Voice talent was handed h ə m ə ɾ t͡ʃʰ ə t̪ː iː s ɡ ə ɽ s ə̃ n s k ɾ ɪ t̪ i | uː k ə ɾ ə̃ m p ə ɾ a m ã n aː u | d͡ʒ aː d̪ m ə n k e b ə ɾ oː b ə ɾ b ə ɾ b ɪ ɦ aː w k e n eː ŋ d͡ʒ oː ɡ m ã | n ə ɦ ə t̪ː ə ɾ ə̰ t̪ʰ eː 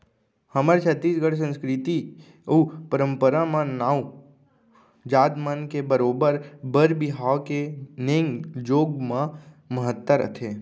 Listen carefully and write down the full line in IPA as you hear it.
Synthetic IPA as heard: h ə m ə ɾ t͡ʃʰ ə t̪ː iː s ɡ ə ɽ s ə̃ n s k ɾ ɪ t̪ i | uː p ə ɾ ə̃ m p ə ɾ a m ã n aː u | d͡ʒ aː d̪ m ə n k e b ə ɾ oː b ə ɾ b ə ɾ b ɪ ɦ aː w k e n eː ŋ d͡ʒ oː ɡ m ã | m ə ɦ ə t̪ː ə ɾ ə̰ t̪ʰ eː

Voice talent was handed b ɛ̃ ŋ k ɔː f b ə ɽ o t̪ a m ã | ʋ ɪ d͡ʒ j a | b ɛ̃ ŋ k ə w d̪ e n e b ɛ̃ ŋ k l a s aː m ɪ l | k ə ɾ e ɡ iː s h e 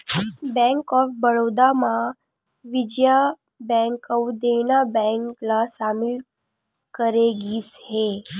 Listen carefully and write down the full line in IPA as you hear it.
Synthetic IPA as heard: b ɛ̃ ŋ k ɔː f b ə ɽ o d̪ a m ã | ʋ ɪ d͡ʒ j a | b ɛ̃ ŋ k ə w d̪ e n a b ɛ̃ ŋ k l a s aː m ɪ l | k ə ɾ e ɡ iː s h e

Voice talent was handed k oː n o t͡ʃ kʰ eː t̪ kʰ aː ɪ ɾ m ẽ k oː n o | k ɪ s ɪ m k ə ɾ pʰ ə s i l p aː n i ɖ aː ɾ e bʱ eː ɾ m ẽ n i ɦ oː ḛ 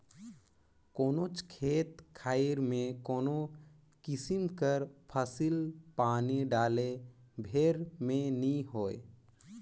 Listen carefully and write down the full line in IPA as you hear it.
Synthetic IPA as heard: k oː n o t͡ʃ kʰ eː t̪ kʰ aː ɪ ɾ m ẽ k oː n o | k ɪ s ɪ m k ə ɾ pʰ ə s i l p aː n i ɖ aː l e bʱ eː ɾ m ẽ n i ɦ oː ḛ

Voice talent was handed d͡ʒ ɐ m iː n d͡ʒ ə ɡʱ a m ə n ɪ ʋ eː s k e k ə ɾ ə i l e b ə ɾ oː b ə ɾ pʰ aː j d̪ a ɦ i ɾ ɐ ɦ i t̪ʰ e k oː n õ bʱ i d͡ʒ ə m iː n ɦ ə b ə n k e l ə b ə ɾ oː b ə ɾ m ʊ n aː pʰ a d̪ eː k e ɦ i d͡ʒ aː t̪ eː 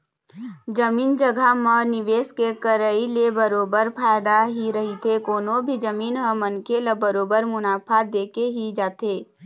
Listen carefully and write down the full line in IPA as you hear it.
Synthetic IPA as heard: d͡ʒ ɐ m iː n d͡ʒ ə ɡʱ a m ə n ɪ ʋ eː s k e k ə ɾ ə i l e b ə ɾ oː b ə ɾ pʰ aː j d̪ a ɦ i ɾ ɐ ɦ i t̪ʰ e k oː n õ bʱ i d͡ʒ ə m iː n ɦ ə m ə n k e l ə b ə ɾ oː b ə ɾ m ʊ n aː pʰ a d̪ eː k e ɦ i d͡ʒ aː t̪ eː

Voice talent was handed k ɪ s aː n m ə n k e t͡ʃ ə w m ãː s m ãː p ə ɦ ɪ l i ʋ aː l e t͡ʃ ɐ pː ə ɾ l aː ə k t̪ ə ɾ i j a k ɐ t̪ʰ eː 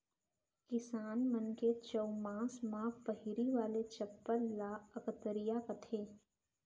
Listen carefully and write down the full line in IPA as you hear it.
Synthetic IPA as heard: k ɪ s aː n m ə n k e t͡ʃ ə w m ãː s m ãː p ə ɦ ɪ ɾ i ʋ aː l e t͡ʃ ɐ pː ə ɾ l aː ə k t̪ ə ɾ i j a k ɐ t̪ʰ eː

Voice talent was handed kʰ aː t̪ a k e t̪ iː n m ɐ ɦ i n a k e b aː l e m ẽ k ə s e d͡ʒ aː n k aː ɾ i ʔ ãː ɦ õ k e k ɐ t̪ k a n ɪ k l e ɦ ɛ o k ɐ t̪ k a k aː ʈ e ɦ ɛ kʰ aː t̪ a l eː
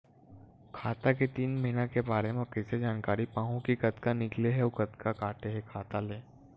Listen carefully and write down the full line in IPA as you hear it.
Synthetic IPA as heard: kʰ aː t̪ a k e t̪ iː n m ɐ ɦ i n a k e b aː ɾ e m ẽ k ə s e d͡ʒ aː n k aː ɾ i p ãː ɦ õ k i k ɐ t̪ k a n ɪ k l e ɦ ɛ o k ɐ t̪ k a k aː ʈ e ɦ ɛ kʰ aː t̪ a l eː

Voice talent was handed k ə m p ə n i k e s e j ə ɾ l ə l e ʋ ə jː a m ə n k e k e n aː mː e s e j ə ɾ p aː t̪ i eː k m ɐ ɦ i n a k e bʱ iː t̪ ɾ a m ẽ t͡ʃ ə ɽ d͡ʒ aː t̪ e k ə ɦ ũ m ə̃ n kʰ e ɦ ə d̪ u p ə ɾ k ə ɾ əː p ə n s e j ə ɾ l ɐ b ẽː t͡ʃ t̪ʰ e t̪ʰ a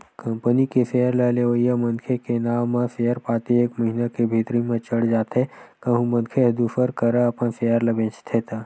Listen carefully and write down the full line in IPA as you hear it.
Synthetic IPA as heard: k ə m p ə n i k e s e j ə ɾ l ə l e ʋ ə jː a m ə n kʰ e k e n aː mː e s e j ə ɾ p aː t̪ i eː k m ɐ ɦ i n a k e bʱ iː t̪ ɾ i m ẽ t͡ʃ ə ɽ d͡ʒ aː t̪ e k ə ɦ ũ m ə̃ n kʰ e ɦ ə d̪ u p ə ɾ k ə ɾ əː p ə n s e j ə ɾ l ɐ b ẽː t͡ʃ t̪ʰ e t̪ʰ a

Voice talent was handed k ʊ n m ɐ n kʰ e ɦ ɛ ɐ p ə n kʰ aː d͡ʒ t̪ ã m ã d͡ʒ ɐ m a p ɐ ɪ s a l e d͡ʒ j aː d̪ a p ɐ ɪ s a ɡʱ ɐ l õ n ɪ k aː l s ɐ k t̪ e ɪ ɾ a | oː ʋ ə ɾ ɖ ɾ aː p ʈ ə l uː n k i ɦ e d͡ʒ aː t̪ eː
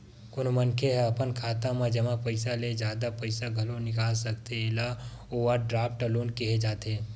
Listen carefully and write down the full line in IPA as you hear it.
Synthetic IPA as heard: k ʊ n m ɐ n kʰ e ɦ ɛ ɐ p ə n kʰ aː t̪ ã m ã d͡ʒ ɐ m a p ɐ ɪ s a l e d͡ʒ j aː d̪ a p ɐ ɪ s a ɡʱ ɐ l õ n ɪ k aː l s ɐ k t̪ e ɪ l a | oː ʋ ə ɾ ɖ ɾ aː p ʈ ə l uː n k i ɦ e d͡ʒ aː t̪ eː

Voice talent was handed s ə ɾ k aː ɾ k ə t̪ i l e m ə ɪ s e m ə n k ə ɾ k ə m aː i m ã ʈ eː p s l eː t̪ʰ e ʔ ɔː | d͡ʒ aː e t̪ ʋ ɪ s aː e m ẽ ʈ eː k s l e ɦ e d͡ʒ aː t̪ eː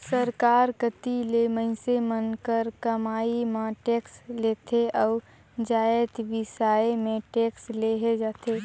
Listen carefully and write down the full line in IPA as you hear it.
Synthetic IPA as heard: s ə ɾ k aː ɾ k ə t̪ i l e m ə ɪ s e m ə n k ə ɾ k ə m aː i m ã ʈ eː k s l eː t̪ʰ e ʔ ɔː | d͡ʒ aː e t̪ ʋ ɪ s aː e m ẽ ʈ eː k s l e ɦ e d͡ʒ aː t̪ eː

